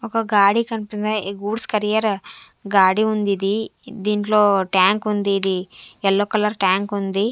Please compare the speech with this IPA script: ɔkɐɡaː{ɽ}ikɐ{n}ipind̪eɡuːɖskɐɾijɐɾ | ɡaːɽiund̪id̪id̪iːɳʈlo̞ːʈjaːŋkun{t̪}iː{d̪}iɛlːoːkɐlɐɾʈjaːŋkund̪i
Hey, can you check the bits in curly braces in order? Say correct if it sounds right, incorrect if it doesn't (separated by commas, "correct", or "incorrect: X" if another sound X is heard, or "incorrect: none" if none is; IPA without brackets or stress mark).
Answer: correct, correct, incorrect: d̪, correct